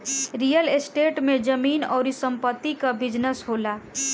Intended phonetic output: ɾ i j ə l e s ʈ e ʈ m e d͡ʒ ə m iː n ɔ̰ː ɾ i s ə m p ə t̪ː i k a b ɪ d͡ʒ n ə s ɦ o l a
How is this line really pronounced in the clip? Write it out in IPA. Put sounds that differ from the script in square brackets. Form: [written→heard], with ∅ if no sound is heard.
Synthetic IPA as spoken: ɾ i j ə l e s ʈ e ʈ m e d͡ʒ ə m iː n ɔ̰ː ɾ i s ə m p ə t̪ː i k a b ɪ d͡ʒ n ə s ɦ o l a

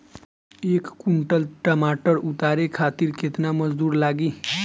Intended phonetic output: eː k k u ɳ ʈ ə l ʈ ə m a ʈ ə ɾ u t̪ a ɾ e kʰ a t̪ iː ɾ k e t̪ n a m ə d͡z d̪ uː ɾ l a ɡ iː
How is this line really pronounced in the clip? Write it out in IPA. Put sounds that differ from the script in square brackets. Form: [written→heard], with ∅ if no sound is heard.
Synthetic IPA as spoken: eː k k u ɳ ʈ ə l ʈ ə m a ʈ ə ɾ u t̪ a ɾ e kʰ a t̪ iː ɾ k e t̪ n a m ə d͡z d̪ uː ɾ l a ɡ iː

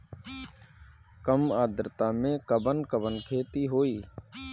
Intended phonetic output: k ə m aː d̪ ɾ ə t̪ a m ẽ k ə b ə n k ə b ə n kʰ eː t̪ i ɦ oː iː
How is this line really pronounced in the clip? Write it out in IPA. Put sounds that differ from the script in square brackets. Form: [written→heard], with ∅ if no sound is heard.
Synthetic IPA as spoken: k ə m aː d̪ ɾ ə t̪ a m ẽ k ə b ə n k ə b ə n kʰ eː t̪ i ɦ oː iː

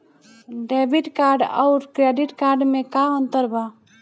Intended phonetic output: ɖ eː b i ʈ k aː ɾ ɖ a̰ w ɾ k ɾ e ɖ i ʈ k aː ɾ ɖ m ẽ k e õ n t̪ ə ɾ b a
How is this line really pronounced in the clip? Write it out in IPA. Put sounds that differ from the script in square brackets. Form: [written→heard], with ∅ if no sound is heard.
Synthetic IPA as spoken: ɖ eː b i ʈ k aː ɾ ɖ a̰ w ɾ k ɾ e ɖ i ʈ k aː ɾ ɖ m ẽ k [e→a] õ n t̪ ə ɾ b a

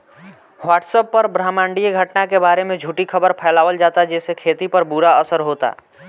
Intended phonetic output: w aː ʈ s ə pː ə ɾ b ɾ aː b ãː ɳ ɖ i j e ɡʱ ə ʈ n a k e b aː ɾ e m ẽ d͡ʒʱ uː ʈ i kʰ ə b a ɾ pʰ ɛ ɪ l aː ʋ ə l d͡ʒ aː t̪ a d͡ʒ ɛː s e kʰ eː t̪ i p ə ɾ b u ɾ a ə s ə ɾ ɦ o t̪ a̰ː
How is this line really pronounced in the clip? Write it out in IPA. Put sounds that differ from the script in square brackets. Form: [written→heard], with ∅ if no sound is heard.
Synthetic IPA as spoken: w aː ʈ s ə pː ə ɾ b ɾ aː [b→m] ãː ɳ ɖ i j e ɡʱ ə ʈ n a k e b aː ɾ e m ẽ d͡ʒʱ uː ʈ i kʰ ə b [a→ə] ɾ pʰ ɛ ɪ l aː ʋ ə l d͡ʒ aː t̪ a d͡ʒ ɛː s e kʰ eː t̪ i p ə ɾ b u ɾ a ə s ə ɾ ɦ o t̪ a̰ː

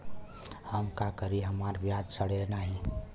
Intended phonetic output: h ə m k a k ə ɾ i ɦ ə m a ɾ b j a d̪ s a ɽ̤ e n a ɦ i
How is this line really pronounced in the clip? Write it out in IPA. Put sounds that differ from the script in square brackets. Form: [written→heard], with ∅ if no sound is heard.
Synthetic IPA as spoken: h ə m k a k ə ɾ i ɦ ə m a ɾ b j a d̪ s [a→ə] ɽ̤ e n a ɦ i

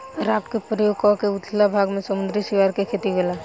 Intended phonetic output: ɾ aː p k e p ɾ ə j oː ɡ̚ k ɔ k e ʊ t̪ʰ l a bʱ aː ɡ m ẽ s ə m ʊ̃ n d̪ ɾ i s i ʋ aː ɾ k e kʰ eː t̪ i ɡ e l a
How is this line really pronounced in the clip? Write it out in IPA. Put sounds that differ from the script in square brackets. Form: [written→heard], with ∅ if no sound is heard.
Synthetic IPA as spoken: ɾ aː p k e p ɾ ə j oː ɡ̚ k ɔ k e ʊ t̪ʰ l a bʱ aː ɡ m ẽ s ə m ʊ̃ n d̪ ɾ i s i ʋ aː ɾ k e kʰ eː t̪ i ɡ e l a

